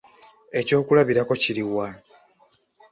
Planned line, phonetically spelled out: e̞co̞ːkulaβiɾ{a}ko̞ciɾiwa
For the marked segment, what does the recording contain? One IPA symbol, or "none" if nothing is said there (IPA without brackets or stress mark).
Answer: a